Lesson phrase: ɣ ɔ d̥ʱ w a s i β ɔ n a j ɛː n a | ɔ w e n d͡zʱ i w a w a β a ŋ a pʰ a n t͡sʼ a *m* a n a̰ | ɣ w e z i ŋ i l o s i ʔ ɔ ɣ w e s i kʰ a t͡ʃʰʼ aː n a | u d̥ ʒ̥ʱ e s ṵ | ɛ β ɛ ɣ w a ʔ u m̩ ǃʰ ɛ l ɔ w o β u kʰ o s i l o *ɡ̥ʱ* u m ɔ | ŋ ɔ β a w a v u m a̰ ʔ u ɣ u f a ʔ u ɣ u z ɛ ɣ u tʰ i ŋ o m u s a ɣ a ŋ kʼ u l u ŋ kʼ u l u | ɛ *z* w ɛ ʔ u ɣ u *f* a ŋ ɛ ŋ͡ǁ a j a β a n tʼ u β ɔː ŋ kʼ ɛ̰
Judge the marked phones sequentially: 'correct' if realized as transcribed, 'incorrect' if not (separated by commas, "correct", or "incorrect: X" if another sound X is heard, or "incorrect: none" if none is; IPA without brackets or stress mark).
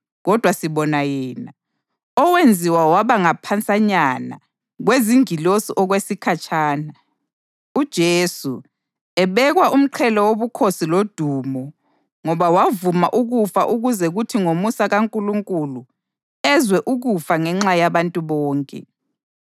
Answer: incorrect: ɲ, incorrect: d̥ʱ, correct, correct